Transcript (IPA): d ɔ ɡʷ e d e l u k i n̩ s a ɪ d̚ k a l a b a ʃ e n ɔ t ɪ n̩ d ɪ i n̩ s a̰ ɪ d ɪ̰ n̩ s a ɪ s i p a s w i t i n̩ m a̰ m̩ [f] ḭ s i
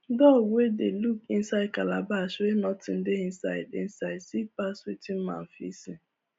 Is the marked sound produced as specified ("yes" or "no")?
yes